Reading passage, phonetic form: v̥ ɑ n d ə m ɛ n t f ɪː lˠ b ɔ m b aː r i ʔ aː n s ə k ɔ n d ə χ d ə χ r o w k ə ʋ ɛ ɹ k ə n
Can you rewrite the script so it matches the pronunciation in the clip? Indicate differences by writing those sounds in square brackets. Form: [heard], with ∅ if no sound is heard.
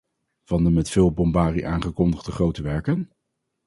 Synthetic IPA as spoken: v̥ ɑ n d ə m ɛ [∅] t f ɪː lˠ b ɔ m b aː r i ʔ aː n [χ] ə k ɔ n d ə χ d ə χ r o w [t] ə ʋ ɛ ɹ k ə n